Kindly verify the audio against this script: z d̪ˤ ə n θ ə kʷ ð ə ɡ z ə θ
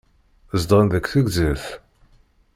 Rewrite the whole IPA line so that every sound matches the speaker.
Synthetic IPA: z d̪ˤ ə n ð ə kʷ θ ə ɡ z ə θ